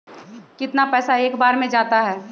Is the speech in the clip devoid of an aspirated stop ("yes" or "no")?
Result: yes